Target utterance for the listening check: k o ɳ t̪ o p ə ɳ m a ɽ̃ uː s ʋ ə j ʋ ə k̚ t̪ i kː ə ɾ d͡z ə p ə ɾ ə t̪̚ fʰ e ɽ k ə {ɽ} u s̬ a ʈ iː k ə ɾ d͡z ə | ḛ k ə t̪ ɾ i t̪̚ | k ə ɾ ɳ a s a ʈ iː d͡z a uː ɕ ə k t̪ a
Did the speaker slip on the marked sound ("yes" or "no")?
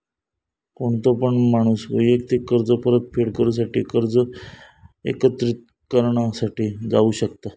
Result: yes